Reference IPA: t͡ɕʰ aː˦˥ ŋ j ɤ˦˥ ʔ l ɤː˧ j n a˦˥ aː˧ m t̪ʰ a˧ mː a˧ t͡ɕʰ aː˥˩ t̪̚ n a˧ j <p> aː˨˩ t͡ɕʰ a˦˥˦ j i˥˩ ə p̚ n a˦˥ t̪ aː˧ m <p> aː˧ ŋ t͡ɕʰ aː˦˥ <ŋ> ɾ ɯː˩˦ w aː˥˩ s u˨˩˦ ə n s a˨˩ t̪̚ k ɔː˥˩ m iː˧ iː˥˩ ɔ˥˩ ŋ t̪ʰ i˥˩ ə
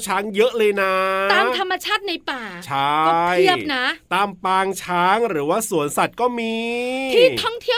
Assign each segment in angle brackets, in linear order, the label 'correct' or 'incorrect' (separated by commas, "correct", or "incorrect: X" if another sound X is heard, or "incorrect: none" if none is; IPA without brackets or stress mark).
correct, correct, correct